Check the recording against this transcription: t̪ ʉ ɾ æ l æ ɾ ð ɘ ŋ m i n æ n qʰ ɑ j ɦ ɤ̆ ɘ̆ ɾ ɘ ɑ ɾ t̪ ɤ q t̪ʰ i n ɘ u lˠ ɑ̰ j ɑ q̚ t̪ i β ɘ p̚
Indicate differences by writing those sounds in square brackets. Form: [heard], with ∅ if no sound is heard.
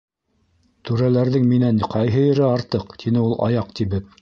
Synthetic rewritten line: t̪ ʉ ɾ æ l æ ɾ ð ɘ ŋ m i n æ n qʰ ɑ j ɦ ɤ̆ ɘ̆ ɾ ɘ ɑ ɾ t̪ ɤ q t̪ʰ i n ɘ u lˠ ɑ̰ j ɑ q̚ t̪ i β ɘ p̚